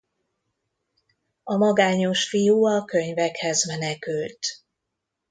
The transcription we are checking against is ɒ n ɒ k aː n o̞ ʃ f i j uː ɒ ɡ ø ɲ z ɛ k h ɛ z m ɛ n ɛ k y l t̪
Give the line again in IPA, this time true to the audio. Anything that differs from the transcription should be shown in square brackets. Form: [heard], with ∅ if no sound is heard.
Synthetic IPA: ɒ [m] ɒ [ɡ] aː [ɲ] o̞ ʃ f i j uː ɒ [k] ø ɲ [v] ɛ k h ɛ z m ɛ n ɛ k y l t̪